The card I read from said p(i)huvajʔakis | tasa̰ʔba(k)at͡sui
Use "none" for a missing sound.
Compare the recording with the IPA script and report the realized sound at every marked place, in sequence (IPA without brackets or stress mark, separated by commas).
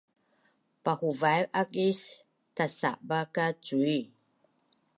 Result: a, k